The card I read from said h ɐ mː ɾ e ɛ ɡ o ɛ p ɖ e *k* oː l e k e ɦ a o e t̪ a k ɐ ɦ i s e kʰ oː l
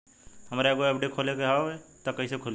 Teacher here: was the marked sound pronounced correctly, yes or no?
no